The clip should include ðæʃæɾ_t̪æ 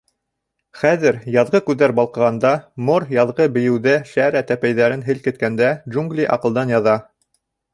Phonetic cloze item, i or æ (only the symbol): æ